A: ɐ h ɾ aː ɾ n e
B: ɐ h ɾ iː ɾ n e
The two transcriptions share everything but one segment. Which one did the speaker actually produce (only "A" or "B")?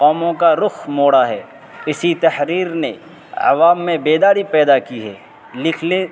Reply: B